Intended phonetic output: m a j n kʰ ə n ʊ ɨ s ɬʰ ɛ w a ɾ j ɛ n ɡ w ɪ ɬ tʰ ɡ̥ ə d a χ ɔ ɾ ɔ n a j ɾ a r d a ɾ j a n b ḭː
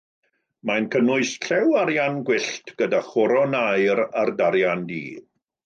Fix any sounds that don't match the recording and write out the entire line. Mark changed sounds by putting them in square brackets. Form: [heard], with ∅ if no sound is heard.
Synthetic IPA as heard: m a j n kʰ ə n ʊ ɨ s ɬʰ ɛ w a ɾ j [a] n ɡ w ɪ ɬ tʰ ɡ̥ ə d a χ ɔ ɾ ɔ n a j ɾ a r d a ɾ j a n [d] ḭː